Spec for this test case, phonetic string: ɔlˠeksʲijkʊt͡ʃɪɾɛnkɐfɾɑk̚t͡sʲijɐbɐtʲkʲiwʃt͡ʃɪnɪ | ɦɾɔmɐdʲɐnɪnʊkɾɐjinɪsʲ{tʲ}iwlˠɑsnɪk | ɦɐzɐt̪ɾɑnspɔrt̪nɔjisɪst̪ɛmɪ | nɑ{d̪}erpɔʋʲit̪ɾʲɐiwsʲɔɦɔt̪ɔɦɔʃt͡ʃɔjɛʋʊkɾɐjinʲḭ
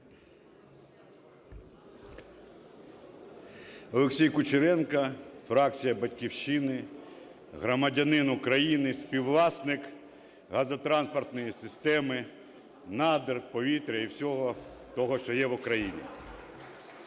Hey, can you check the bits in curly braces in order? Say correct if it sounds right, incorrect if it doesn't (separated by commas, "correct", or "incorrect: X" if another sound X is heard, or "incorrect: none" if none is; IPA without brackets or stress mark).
incorrect: pʲ, correct